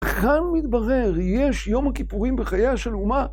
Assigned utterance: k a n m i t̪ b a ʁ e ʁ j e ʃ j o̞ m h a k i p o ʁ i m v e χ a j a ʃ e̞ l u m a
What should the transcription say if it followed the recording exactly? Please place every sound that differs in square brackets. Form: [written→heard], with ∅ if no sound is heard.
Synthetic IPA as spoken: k a n m i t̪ b a ʁ e ʁ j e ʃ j o̞ m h a k i p [o→u] ʁ i m [v→b] e χ a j a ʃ e̞ l u m a

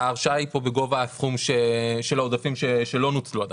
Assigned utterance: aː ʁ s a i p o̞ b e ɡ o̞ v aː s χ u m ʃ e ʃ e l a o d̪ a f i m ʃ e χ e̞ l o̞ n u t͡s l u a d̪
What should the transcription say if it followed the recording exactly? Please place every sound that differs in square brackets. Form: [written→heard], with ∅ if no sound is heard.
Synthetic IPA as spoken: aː ʁ [s→ʃ] a i p o̞ b e ɡ o̞ v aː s χ u m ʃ e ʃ e l a o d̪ a f i m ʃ e [χ→ʃ] e̞ l o̞ n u t͡s l u a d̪

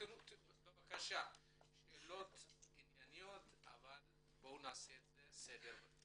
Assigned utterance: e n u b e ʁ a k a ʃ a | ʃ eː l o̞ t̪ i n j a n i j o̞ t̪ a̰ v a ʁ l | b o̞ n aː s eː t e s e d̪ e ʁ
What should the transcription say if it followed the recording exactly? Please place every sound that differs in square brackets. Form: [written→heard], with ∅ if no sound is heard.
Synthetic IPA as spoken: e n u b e [ʁ→v] a k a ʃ a | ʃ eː l o̞ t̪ i n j a n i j o̞ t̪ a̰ v a [ʁ→∅] l | b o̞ n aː s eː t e s e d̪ e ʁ

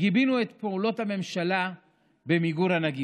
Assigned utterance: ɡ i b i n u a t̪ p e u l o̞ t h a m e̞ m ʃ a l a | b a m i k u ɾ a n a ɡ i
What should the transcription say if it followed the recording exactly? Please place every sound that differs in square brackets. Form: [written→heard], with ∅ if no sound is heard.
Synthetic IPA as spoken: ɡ i b i n u [a→e] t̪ p e u l o̞ t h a m e̞ m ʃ a l a | b [a→e] m i [k→ɡ] u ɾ a n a ɡ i

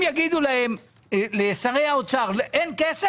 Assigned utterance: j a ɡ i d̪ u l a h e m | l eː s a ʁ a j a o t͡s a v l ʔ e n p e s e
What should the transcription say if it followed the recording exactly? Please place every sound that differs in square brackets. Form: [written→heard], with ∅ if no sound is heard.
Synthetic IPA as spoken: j a ɡ i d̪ u l a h e m | l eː s a ʁ [a→e] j a o t͡s a [v→ʁ] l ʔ e n [p→k] e s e

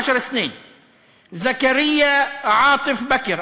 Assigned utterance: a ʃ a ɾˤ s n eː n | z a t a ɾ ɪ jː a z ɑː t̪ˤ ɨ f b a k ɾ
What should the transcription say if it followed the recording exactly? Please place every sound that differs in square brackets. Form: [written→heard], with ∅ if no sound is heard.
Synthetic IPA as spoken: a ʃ [a→ɑ] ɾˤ s n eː n | z a [t→k] a ɾ ɪ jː a [z→ʕ] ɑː t̪ˤ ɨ f b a k ɾ

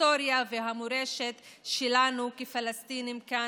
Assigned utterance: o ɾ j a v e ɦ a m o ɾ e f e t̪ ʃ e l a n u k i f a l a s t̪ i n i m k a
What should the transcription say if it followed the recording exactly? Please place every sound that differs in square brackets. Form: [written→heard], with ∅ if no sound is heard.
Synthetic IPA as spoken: o ɾ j a v e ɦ a m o ɾ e [f→ʃ] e t̪ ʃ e l a n u k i f a l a s t̪ i n i m k a

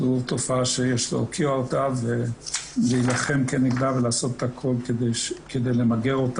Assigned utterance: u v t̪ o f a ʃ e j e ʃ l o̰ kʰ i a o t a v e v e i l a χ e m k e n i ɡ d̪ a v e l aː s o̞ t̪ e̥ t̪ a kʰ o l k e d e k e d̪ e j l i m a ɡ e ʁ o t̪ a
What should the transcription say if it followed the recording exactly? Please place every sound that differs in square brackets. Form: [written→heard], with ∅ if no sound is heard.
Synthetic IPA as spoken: u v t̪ o f a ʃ e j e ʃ l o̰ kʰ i a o t a v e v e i l a χ e m k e n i ɡ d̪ a v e l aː s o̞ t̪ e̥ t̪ a kʰ o l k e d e k e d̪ e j l [i→e] m a ɡ e ʁ o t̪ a

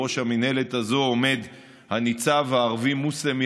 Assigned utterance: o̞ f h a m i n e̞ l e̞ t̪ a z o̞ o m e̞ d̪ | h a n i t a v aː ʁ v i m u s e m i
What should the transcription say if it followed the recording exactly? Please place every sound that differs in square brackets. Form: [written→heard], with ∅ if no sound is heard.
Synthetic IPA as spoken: o̞ [f→ʃ] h a m i n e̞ l e̞ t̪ a z o̞ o m e̞ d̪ | h a n i [t→t͡s] a v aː ʁ v i m u s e m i

